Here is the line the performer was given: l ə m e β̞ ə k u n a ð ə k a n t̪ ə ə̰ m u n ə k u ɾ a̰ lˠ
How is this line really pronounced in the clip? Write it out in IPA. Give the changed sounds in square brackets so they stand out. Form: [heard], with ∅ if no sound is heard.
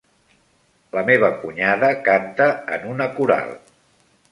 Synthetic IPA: l ə m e β̞ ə k u [ɲ] a ð ə k a n t̪ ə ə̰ [n] u n ə k u ɾ a̰ lˠ